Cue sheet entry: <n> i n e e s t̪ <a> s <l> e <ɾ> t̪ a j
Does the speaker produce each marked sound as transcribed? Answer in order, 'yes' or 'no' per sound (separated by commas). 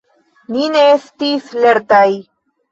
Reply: yes, no, yes, yes